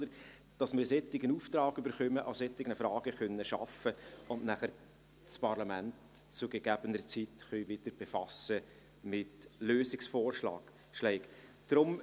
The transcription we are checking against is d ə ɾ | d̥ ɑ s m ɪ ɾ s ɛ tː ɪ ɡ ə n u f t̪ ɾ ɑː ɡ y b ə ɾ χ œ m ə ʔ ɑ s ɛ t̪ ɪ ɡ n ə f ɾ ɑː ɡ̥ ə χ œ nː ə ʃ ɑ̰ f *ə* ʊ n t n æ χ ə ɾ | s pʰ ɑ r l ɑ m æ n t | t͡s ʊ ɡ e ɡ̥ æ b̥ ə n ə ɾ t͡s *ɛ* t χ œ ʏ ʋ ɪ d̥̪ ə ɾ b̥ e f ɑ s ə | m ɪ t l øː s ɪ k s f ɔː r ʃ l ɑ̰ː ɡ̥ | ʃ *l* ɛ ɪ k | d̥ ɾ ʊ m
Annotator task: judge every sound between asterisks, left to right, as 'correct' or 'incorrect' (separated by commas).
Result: correct, incorrect, correct